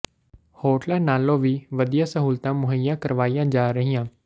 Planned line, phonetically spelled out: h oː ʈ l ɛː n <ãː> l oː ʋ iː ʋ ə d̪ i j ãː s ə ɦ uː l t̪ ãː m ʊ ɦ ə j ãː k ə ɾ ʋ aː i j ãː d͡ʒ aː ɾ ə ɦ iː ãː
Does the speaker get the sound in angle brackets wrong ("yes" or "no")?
yes